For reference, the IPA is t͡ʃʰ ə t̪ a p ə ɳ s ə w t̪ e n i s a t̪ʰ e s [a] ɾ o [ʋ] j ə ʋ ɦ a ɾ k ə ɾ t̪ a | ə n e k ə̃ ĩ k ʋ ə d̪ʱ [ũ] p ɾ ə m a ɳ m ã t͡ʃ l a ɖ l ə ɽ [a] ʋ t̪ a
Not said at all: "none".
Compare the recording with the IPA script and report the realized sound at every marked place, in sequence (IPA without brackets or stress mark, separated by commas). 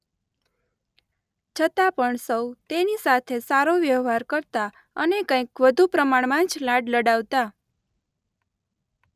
a, ʋ, u, a